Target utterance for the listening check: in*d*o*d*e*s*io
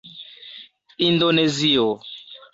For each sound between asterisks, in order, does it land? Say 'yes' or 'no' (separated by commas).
yes, no, no